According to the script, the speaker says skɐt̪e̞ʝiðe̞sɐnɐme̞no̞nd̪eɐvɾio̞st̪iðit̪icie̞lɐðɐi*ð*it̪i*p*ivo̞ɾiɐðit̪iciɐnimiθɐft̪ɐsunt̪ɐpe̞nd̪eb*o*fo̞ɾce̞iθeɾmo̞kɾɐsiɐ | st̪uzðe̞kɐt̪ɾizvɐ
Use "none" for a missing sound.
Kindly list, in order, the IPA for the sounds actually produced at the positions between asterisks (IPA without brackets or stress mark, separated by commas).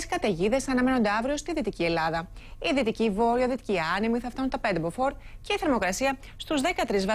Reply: ð, c, o